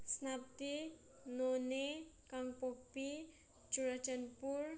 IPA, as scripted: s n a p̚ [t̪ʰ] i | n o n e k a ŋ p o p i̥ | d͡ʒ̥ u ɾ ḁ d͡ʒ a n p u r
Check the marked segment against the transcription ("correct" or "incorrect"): incorrect